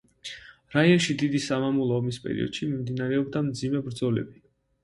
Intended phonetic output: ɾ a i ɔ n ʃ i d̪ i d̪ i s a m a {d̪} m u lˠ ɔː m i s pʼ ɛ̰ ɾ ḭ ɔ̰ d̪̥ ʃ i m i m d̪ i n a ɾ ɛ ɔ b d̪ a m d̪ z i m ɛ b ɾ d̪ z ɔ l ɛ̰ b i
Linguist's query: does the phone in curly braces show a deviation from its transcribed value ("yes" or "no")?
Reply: yes